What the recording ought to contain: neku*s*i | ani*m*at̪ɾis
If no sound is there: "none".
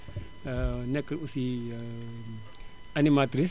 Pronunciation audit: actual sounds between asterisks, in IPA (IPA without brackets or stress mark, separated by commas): s, m